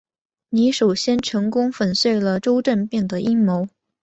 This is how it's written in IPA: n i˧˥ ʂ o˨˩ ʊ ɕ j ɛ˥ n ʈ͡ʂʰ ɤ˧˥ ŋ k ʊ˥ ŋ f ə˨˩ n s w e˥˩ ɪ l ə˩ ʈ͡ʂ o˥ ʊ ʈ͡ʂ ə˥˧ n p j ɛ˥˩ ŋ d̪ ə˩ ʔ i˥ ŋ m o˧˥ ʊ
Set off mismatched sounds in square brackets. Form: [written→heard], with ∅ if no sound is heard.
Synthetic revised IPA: n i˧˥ ʂ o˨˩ ʊ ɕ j ɛ˥ n ʈ͡ʂʰ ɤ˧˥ ŋ k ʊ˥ ŋ f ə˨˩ n s w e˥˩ ɪ l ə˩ ʈ͡ʂ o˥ ʊ ʈ͡ʂ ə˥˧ n p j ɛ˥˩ ŋ d̪ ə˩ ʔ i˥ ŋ m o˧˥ ʊ